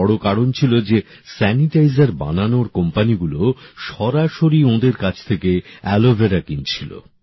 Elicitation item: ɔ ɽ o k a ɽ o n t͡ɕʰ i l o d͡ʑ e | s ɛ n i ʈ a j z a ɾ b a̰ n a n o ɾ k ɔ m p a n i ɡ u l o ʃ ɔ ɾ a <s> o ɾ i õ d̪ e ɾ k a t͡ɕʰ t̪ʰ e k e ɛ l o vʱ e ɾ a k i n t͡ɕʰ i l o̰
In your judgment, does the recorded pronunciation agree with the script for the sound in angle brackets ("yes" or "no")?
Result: no